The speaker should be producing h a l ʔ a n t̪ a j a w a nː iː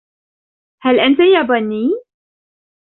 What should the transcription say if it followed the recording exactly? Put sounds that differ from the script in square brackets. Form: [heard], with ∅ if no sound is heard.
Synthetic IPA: h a l ʔ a n t̪ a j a [b] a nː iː